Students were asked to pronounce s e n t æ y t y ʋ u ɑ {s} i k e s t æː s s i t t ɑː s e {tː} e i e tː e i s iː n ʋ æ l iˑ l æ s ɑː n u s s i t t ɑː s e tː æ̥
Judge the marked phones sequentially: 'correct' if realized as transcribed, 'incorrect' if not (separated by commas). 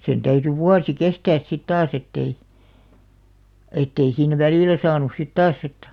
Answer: correct, correct